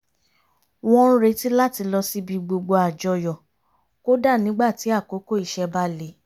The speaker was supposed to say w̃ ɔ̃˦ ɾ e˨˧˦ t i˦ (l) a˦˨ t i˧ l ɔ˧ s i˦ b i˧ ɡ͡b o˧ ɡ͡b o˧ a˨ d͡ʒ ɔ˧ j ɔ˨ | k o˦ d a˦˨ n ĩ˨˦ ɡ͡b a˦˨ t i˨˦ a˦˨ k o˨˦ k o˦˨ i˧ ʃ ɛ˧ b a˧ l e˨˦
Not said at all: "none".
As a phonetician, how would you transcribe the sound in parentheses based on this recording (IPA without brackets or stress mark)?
l